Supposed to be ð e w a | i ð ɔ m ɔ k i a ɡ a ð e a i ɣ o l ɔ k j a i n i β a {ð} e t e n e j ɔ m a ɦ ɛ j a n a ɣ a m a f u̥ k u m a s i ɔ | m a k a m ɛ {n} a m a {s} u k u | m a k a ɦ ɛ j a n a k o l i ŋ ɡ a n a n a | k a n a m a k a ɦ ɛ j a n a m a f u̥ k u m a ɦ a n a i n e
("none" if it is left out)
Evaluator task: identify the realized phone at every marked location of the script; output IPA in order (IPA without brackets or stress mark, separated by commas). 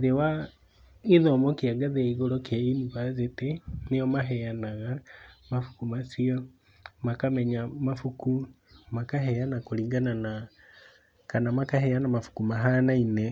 z, ɲ, f